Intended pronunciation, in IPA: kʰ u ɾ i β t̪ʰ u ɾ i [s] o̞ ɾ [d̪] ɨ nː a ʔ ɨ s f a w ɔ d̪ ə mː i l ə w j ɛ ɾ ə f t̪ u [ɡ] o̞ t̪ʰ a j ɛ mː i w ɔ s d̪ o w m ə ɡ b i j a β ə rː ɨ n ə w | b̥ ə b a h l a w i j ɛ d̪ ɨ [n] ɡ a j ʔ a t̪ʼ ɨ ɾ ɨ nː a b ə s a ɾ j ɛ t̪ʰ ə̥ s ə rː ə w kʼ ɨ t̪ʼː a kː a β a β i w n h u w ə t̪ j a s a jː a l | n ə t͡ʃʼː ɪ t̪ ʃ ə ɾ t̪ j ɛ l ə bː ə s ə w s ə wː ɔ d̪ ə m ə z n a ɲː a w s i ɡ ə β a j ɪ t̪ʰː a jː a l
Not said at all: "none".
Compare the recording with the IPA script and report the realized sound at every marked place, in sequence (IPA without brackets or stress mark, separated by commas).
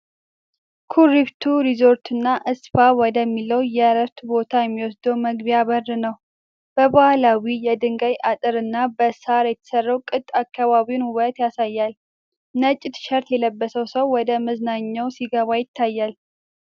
z, t̪, b, ŋ